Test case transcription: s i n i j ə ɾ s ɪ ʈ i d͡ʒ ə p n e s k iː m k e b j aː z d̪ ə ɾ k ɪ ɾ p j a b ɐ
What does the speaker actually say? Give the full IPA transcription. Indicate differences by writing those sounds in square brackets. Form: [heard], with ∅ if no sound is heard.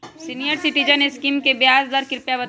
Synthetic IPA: s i n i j ə ɾ s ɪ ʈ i d͡ʒ ə [∅] n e s k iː m k e b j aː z d̪ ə ɾ k ɪ ɾ p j a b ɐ